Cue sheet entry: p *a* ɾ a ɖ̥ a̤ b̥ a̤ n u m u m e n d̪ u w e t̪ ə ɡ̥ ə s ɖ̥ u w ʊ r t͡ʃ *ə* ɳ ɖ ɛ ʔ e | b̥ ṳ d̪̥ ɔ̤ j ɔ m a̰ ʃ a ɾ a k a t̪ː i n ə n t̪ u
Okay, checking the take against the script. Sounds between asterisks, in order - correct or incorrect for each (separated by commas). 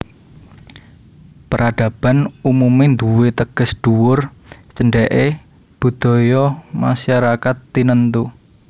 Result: incorrect, correct